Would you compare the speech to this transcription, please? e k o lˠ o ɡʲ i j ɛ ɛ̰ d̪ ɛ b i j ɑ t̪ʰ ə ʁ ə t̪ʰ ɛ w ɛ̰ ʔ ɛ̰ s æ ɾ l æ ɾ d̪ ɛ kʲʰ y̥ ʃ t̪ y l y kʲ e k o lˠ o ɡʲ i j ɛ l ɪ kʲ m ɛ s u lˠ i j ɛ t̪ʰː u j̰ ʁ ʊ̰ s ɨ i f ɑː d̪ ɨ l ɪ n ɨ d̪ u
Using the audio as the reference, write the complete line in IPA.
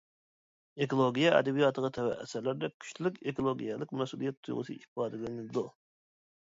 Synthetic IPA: e k o lˠ o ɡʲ i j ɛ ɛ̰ d̪ ɛ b i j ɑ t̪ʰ ə ʁ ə t̪ʰ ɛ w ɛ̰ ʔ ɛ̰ s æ ɾ l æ ɾ d̪ ɛ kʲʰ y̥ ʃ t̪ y l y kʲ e k o lˠ o ɡʲ i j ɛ l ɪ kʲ m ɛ s u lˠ i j ɛ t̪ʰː u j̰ ʁ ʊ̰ s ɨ i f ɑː d̪ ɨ l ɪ n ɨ d̪ u

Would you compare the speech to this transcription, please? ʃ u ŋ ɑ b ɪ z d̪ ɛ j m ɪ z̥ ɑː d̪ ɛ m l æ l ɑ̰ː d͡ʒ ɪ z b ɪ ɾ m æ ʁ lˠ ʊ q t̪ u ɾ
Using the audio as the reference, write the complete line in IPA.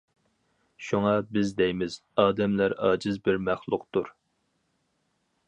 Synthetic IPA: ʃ u ŋ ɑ b ɪ z d̪ ɛ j m ɪ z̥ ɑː d̪ ɛ m l æ ɾ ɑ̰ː d͡ʒ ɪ z b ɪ ɾ m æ χ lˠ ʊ q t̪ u ɾ

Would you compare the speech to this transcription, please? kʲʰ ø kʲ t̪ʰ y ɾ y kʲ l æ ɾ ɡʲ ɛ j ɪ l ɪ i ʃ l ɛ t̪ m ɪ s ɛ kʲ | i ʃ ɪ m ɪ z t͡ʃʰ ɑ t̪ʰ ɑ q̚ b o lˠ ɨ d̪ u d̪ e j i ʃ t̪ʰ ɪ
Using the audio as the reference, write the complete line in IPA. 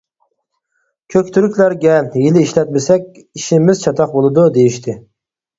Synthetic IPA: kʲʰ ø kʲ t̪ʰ y ɾ y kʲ l æ ɾ ɡʲ ɛ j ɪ l ɪ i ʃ l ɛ t̪ m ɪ s ɛ kʲ | i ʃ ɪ m ɪ z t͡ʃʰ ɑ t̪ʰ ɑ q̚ b o lˠ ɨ d̪ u d̪ e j i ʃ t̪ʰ ɪ

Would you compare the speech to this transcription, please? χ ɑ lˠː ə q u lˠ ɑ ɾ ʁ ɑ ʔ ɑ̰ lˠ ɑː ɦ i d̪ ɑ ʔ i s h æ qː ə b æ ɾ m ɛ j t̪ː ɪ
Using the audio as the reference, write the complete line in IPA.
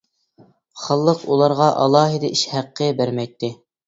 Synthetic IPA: χ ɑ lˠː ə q u lˠ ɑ ɾ ʁ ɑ ʔ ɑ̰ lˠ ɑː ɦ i d̪ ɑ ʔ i ʃ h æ qː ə b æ ɾ m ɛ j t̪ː ɪ

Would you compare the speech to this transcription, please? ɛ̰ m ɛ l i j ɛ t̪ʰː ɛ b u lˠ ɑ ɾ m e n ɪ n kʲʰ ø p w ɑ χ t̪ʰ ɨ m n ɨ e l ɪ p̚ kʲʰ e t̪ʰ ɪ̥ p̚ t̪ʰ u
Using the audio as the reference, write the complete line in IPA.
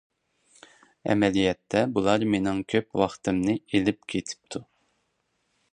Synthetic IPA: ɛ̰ m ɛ l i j ɛ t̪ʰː ɛ b u lˠ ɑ ɾ m e n ɪ ŋ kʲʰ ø p w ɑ χ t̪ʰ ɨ m n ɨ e l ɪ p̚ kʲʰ e t̪ʰ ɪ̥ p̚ t̪ʰ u

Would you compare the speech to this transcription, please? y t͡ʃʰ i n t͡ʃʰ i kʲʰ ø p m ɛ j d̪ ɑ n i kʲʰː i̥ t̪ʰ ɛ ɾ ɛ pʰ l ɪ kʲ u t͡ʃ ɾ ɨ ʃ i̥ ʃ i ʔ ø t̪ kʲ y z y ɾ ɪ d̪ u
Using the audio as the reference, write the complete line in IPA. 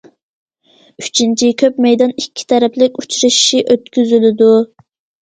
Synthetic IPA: y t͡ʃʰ i n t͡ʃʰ i kʲʰ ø p m ɛ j d̪ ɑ n i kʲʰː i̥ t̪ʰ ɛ ɾ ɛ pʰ l ɪ kʲ u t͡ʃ ɾ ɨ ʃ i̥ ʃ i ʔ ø t̪ kʲ y z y l ɪ d̪ u

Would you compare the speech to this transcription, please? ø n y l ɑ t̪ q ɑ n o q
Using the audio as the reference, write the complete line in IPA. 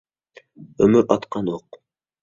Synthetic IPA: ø m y ɾ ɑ t̪ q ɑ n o q

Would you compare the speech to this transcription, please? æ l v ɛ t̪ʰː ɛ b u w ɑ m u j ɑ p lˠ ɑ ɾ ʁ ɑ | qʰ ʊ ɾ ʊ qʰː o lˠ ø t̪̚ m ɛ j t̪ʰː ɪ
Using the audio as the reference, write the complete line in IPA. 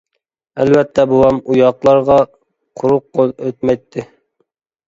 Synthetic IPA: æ l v ɛ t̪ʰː ɛ b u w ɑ m u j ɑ q lˠ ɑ ɾ ʁ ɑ | qʰ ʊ ɾ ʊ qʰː o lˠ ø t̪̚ m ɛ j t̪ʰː ɪ

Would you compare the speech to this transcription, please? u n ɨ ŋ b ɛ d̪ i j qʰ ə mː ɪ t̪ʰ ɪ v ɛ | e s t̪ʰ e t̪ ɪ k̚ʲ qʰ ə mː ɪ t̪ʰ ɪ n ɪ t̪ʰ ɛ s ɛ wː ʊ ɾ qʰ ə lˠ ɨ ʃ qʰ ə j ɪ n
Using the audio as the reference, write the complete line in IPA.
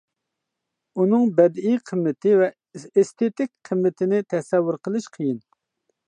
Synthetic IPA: u n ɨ ŋ b ɛ d̪ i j qʰ ə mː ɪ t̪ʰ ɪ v ɛ | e s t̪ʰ e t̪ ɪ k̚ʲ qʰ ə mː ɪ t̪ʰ ɪ n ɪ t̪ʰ ɛ s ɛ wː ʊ ɾ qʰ ə lˠ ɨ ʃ qʰ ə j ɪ n

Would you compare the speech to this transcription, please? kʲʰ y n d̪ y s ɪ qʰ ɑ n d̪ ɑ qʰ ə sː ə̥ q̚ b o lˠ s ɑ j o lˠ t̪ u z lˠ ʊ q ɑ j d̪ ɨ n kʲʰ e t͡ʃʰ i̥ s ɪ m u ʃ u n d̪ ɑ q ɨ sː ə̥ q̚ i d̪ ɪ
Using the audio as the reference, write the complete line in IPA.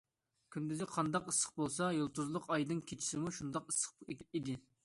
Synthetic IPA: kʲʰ y n d̪ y z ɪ qʰ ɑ n d̪ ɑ q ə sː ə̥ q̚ b o lˠ s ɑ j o lˠ t̪ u z lˠ ʊ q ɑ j d̪ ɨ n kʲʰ e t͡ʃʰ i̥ s ɪ m u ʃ u n d̪ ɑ q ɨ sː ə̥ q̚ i d̪ ɪ

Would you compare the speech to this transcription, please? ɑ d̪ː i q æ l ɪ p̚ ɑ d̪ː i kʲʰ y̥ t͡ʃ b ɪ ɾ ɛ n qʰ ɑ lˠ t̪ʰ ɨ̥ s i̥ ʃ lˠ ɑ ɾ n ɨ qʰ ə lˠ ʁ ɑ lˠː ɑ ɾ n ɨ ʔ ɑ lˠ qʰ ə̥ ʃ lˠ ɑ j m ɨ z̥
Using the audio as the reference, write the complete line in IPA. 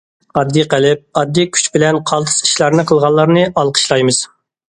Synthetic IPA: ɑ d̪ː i q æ l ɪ p̚ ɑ d̪ː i kʲʰ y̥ t͡ʃ b ɪ l ɛ n qʰ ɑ lˠ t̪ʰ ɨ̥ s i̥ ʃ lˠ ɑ ɾ n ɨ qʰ ə lˠ ʁ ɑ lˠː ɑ ɾ n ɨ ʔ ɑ lˠ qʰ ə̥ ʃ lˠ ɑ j m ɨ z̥

